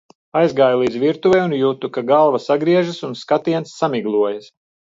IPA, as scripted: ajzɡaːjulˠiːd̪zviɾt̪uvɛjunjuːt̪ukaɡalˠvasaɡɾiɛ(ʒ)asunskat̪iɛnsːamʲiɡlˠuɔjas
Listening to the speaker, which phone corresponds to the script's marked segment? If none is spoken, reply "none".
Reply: ʒ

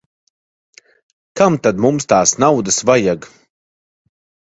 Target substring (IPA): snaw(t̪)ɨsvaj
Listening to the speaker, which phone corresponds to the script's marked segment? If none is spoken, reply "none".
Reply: d̪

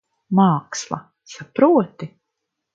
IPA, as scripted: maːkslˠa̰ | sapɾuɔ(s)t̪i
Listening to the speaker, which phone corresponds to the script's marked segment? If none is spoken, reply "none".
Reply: none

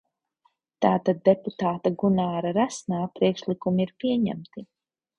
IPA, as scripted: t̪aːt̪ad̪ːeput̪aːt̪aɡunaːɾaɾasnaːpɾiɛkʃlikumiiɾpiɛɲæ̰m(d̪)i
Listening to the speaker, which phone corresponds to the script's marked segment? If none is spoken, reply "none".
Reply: t̪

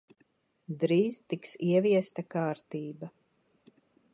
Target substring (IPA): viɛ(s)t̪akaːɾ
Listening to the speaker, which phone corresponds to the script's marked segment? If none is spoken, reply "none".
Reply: s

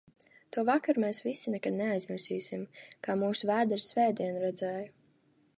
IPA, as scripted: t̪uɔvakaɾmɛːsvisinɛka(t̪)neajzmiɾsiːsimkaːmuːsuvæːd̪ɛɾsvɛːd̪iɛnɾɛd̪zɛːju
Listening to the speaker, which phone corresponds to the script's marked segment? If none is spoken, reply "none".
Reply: d̪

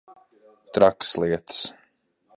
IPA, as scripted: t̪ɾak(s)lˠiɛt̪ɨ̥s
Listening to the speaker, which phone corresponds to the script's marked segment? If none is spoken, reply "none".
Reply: s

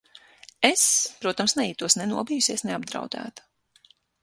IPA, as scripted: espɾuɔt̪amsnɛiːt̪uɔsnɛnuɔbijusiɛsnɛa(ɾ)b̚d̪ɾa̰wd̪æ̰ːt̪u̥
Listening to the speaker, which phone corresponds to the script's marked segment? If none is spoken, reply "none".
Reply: none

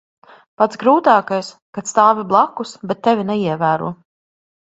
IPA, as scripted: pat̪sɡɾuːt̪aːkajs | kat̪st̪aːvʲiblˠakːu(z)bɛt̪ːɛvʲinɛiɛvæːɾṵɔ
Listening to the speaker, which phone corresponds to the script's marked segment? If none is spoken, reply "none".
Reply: s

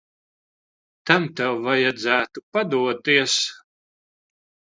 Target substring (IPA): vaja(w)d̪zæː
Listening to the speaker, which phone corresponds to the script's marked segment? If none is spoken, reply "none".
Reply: none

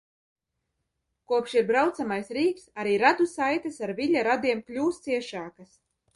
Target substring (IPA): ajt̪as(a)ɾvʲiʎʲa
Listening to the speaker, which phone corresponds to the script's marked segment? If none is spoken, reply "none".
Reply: a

